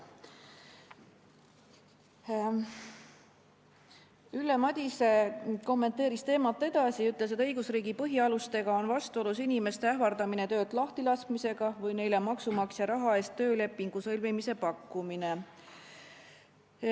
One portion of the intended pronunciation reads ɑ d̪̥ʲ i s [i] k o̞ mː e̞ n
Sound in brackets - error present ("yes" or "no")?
yes